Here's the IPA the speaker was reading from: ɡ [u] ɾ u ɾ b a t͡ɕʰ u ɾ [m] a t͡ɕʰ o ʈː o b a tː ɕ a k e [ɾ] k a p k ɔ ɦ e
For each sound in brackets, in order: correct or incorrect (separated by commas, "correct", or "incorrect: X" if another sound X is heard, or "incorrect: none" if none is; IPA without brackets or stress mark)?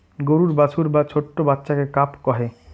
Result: incorrect: o, incorrect: b, incorrect: none